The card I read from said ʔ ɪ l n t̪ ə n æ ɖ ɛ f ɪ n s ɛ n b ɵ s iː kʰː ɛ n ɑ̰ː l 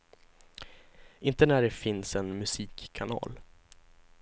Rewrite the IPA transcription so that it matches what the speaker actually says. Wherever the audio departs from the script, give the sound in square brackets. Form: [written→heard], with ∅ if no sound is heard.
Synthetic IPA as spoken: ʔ ɪ [l→∅] n t̪ ə n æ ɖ ɛ f ɪ n s ɛ n [b→m] ɵ s iː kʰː [ɛ→a] n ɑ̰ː l